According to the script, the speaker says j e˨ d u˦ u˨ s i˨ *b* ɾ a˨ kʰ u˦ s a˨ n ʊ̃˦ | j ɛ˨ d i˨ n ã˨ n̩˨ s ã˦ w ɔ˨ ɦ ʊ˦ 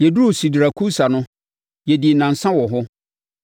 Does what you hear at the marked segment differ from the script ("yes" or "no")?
yes